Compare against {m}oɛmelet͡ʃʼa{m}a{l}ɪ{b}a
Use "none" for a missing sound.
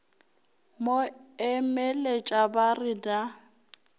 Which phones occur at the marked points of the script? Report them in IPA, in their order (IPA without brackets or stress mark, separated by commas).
m, b, r, d